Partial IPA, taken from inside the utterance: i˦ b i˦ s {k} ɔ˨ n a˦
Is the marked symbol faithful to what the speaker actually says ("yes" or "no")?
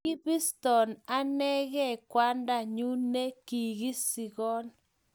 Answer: no